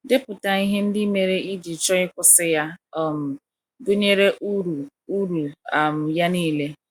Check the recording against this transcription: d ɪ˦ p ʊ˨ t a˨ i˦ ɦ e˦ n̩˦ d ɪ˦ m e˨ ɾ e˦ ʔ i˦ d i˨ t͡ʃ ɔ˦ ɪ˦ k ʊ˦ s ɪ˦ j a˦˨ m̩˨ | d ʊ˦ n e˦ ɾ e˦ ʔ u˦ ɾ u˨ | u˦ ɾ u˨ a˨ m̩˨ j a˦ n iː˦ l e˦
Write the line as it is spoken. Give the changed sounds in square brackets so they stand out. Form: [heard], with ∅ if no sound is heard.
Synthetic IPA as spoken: d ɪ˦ p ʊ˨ t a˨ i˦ ɦ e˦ n̩˦ d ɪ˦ m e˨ ɾ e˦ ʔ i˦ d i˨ t͡ʃ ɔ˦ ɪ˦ k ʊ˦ s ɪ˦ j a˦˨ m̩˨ | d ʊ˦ [ɲ] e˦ ɾ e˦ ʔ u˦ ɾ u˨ | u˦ ɾ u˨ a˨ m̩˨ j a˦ n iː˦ l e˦